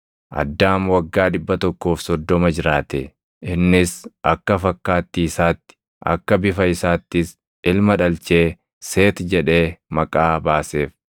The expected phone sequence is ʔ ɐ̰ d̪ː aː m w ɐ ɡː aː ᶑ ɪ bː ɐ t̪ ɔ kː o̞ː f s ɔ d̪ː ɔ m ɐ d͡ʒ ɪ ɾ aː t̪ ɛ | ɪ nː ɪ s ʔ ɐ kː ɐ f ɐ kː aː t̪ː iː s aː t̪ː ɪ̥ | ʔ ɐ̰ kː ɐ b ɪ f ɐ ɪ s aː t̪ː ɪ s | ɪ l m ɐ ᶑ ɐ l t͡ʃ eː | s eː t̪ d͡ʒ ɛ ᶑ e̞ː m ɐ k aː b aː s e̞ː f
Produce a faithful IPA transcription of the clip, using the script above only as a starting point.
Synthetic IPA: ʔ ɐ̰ d̪ː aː m w ɐ ɡː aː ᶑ ɪ bː ɐ t̪ ɔ kː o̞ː f s ɔ d̪ː ɔ m ɐ d͡ʒ ɪ ɾ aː t̪ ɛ | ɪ nː ɪ s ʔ ɐ kː ɐ f ɐ kː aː t̪ː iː s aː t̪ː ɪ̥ | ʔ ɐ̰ kː ɐ b ɪ f ɐ ɪ s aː t̪ː ɪ s | ɪ l m ɐ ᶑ ɐ l t͡ʃ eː | s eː t̪ d͡ʒ ɛ ᶑ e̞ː m ɐ kʼ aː b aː s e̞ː f